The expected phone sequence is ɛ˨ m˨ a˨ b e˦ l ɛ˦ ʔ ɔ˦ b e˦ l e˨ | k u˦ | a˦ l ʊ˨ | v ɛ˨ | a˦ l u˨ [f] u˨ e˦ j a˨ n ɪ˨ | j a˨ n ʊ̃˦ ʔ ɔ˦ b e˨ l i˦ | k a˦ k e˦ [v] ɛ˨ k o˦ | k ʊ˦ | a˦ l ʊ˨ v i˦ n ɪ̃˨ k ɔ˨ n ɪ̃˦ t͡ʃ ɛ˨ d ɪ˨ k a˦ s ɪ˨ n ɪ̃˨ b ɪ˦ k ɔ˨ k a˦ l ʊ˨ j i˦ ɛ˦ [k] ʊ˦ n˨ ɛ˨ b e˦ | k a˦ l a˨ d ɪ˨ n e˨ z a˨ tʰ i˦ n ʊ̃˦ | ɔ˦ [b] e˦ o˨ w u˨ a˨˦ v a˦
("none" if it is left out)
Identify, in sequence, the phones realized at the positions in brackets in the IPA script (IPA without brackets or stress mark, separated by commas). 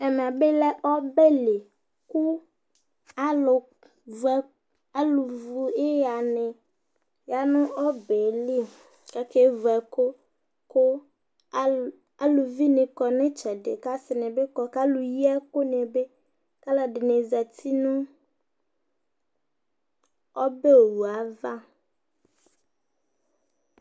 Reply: v, v, k, b